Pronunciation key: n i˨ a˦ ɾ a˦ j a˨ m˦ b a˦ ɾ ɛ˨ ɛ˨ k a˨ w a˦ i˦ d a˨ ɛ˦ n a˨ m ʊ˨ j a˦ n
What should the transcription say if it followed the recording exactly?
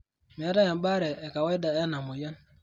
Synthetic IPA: m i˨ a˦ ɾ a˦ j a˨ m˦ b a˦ ɾ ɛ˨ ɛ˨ k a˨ w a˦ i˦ d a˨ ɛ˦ n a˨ m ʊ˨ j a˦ n